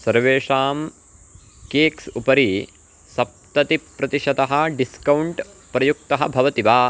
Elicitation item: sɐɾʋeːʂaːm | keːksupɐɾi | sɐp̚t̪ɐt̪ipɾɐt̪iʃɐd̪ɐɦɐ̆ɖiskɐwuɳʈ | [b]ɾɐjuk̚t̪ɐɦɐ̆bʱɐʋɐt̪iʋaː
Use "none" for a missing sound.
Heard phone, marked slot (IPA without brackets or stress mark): p